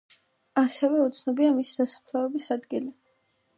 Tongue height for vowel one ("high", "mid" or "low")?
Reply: low